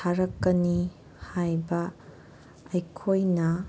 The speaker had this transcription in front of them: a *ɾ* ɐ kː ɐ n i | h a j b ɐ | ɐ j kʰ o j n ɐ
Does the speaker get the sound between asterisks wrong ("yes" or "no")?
no